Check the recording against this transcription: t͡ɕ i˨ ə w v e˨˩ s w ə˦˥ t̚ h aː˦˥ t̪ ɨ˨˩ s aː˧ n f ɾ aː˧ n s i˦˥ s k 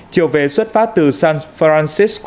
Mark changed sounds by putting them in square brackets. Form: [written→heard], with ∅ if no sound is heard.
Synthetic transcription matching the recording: t͡ɕ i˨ ə w v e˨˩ s w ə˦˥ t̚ [h→f] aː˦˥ t̪ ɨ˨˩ s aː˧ n f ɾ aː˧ n s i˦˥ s k